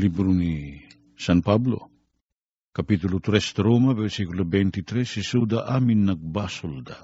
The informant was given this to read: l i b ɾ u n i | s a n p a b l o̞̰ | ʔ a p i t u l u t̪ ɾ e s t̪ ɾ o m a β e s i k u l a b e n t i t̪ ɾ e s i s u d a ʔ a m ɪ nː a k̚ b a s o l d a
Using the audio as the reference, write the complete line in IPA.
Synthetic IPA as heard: l i b ɾ u n i | s a n p a b l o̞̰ | k a p i t u l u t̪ ɾ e s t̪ ɾ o m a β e s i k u l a b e n t i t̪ ɾ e s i s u d a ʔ a m i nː a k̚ b a s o l d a